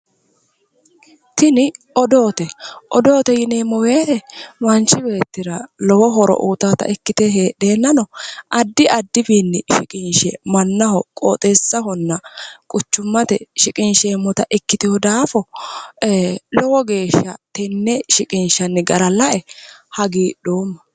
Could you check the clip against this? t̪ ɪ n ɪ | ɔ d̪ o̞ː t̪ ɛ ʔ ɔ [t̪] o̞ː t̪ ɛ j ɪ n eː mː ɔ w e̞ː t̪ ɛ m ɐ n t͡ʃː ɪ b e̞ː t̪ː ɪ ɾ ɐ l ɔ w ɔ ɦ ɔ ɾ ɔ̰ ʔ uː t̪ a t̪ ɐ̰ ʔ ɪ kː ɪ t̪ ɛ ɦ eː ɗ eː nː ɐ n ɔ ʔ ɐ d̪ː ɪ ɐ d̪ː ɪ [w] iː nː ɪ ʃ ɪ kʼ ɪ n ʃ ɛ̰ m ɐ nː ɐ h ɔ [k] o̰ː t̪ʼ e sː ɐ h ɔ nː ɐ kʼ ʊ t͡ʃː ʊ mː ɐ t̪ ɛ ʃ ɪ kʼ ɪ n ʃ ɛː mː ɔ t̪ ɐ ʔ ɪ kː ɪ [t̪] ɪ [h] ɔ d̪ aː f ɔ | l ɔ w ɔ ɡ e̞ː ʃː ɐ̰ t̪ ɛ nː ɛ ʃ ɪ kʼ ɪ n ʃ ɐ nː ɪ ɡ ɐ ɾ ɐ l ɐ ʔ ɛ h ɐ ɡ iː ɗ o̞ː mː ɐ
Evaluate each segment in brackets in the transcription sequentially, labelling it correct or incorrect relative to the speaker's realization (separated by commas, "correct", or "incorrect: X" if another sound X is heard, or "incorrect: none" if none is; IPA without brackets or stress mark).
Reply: incorrect: d̪, incorrect: b, incorrect: kʼ, correct, correct